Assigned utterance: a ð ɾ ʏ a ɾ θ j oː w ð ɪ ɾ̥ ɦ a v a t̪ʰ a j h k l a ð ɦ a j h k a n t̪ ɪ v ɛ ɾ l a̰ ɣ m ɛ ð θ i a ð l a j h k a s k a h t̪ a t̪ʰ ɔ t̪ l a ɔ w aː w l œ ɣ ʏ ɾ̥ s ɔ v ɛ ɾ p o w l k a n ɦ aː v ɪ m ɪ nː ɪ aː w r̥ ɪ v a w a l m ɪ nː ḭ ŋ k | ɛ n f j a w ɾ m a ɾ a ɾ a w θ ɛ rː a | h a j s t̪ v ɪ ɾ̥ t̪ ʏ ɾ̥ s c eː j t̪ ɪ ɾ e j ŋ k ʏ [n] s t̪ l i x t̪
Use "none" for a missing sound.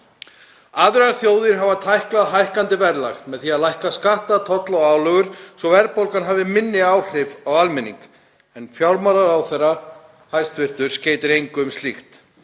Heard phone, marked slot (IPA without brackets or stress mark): m